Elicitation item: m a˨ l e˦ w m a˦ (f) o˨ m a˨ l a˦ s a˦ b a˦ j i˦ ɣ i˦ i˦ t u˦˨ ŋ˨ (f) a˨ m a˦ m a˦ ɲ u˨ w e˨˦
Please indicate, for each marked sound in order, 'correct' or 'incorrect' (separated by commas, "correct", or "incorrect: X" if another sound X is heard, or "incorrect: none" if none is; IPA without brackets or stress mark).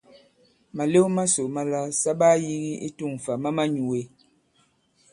incorrect: s, correct